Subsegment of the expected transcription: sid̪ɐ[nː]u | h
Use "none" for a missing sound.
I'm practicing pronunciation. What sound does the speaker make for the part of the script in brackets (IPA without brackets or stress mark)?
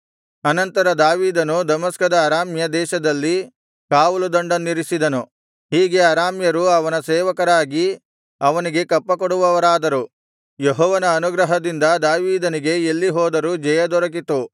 n